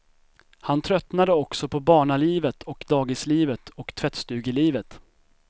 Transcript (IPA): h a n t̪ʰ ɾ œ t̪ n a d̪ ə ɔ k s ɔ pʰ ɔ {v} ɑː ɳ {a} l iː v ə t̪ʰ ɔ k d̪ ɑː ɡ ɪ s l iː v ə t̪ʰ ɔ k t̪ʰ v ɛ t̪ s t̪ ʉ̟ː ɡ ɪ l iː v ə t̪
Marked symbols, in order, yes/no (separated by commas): no, yes